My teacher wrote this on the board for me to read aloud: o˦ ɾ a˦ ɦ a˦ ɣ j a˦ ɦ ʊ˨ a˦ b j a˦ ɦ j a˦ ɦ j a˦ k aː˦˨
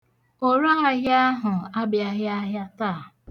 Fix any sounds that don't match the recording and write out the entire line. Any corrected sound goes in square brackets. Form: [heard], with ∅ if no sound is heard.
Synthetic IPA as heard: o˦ ɾ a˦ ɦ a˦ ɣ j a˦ ɦ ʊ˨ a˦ b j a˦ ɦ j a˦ ɦ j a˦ [t] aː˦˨